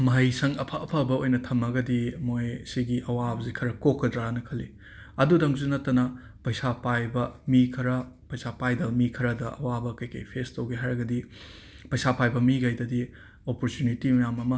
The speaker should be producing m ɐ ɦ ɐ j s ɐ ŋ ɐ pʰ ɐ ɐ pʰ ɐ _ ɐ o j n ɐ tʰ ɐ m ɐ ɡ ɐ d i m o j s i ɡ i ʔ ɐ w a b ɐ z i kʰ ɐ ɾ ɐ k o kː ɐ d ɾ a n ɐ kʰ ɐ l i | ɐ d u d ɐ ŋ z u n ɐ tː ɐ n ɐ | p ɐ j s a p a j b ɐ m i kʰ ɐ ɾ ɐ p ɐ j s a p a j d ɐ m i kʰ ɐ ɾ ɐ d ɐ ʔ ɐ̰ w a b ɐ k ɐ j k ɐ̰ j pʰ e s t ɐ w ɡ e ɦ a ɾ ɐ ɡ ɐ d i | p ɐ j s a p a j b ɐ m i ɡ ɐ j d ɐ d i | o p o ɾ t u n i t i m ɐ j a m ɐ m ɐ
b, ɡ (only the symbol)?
b